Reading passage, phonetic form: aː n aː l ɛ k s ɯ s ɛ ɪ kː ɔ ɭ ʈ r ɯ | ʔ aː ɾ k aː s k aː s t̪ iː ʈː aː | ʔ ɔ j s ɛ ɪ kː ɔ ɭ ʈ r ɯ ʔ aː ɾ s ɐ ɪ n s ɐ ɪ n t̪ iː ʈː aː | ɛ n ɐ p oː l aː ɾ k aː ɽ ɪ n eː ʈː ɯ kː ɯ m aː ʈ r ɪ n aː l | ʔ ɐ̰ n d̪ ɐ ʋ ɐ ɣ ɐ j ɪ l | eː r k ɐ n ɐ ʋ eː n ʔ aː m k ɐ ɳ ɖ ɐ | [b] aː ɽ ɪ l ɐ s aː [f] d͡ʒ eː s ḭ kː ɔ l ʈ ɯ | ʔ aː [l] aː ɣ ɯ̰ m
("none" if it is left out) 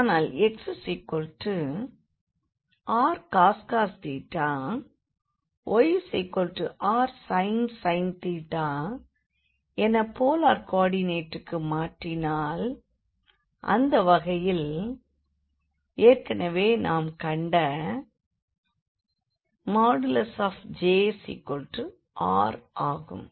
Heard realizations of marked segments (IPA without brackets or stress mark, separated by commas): m, f, ɾ